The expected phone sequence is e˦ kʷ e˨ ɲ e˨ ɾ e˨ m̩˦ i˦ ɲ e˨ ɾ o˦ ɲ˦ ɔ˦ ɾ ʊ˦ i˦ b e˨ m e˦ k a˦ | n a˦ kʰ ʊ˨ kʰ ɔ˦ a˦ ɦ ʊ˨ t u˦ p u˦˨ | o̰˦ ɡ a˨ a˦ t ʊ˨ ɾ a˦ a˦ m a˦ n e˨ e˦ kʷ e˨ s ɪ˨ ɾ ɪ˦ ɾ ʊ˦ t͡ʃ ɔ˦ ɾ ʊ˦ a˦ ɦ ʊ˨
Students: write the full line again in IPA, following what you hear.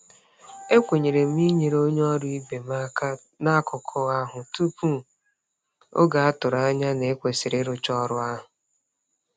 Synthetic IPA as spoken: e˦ kʷ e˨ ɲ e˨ ɾ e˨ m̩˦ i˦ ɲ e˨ ɾ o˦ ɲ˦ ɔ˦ ɾ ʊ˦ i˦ b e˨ m a˦ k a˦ | n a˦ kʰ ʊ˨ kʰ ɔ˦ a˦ ɦ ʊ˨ t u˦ p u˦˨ | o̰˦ ɡ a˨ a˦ t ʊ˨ ɾ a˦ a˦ ɲ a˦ n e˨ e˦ kʷ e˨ s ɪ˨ ɾ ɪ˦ ɾ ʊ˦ t͡ʃ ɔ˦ ɾ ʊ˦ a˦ ɦ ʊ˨